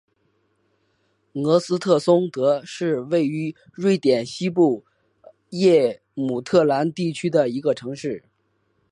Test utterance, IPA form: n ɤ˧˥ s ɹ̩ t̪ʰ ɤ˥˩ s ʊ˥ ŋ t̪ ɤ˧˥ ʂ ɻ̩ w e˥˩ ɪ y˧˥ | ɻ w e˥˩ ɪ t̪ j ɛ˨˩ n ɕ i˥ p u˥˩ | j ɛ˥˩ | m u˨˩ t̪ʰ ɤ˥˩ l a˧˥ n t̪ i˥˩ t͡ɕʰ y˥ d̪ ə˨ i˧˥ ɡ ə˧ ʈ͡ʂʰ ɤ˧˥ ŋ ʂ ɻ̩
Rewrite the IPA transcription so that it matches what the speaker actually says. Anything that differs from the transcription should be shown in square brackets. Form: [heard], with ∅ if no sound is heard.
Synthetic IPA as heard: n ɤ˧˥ s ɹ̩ t̪ʰ ɤ˥˩ s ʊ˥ ŋ t̪ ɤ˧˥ ʂ ɻ̩ w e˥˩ ɪ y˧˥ | ɻ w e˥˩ ɪ t̪ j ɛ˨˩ n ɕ i˥ p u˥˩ | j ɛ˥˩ | m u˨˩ t̪ʰ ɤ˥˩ l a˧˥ n t̪ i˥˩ t͡ɕʰ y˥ d̪ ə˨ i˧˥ ɡ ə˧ ʈ͡ʂʰ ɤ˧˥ ŋ ʂ ɻ̩

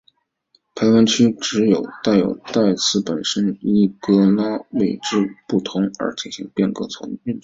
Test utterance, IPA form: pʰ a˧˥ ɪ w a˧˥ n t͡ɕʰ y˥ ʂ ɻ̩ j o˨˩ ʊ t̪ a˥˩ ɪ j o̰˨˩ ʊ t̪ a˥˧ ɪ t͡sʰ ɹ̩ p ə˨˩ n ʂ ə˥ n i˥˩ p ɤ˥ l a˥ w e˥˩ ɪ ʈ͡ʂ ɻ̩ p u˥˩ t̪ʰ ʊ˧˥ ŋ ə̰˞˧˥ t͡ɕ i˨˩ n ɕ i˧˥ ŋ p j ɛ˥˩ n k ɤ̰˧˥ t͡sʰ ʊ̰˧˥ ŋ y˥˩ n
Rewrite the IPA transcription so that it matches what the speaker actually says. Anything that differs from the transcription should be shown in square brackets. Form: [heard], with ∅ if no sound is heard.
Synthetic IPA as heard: pʰ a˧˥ ɪ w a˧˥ n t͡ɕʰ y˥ [ʈ͡ʂ] ɻ̩ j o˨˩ ʊ t̪ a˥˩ ɪ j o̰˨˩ ʊ t̪ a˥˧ ɪ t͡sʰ ɹ̩ p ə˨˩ n ʂ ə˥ n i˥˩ [k] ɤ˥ l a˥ w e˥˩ ɪ ʈ͡ʂ ɻ̩ p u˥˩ t̪ʰ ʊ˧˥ ŋ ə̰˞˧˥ t͡ɕ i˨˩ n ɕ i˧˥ ŋ p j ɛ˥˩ n k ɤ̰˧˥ t͡sʰ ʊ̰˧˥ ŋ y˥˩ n

